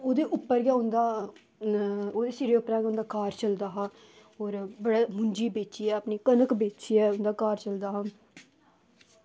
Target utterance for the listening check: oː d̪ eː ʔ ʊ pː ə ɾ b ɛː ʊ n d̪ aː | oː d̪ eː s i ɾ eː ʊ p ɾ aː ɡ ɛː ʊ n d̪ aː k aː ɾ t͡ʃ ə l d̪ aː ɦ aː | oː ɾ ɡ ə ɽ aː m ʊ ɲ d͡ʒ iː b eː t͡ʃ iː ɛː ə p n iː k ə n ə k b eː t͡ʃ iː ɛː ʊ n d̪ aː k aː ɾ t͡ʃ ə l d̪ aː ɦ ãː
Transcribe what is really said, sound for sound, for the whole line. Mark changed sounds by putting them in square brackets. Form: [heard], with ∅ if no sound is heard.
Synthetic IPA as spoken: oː d̪ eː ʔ ʊ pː ə ɾ [ɡ] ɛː ʊ n d̪ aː | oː d̪ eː s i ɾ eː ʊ p ɾ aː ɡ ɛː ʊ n d̪ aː k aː ɾ t͡ʃ ə l d̪ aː ɦ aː | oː ɾ [b] ə ɽ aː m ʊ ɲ d͡ʒ iː b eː t͡ʃ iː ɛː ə p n iː k ə n ə k b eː t͡ʃ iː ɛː ʊ n d̪ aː k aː ɾ t͡ʃ ə l d̪ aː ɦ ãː

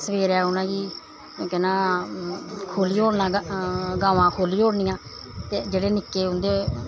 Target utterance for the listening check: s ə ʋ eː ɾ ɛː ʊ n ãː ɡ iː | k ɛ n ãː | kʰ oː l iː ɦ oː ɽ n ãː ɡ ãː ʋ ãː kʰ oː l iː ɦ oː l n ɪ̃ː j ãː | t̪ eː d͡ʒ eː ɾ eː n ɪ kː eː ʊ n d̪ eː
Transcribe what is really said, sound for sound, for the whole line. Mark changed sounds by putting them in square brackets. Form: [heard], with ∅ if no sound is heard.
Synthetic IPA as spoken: s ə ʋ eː ɾ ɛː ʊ n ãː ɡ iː | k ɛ n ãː | kʰ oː l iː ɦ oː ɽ n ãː ɡ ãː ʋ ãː kʰ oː l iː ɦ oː [ɽ] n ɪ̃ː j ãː | t̪ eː d͡ʒ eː [ɽ] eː n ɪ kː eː ʊ n d̪ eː

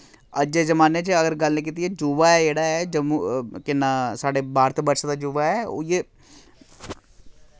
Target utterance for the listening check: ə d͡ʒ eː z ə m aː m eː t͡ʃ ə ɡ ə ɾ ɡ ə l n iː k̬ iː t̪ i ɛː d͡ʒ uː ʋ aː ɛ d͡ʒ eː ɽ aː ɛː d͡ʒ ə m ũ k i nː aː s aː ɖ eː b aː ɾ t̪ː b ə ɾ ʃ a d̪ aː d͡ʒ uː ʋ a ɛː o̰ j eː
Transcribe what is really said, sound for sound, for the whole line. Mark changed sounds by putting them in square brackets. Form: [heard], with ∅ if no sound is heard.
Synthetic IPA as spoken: ə d͡ʒ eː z ə m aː [n] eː t͡ʃ ə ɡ ə ɾ ɡ ə l n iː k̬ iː t̪ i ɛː d͡ʒ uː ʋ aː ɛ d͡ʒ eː ɽ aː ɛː d͡ʒ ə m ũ k [ɪ] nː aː s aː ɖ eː b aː ɾ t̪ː b ə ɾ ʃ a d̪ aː d͡ʒ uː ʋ a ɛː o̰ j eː

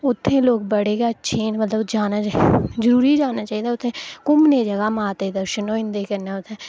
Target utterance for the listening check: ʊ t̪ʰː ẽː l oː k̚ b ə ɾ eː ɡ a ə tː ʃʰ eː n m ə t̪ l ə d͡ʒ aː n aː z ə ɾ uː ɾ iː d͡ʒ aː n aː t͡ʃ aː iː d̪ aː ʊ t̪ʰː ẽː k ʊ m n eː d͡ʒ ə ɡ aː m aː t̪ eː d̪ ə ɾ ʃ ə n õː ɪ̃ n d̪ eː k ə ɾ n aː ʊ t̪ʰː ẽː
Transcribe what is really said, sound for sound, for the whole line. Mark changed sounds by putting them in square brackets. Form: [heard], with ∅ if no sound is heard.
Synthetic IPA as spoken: ʊ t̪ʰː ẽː l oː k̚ b ə [ɽ] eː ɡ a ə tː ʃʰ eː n m ə t̪ l ə d͡ʒ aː n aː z ə ɾ uː ɾ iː d͡ʒ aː n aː t͡ʃ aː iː d̪ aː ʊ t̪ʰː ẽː k ʊ m n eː d͡ʒ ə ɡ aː m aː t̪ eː d̪ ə ɾ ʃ ə n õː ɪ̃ n d̪ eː k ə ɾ n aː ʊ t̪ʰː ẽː

